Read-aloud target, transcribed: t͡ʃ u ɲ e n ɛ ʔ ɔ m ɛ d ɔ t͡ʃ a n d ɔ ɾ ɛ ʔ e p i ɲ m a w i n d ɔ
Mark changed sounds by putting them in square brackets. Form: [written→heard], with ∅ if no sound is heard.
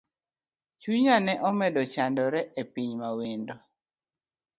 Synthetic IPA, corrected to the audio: t͡ʃ u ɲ [e→a] n ɛ ʔ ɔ m ɛ d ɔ t͡ʃ a n d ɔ ɾ ɛ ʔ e p i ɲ m a w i n d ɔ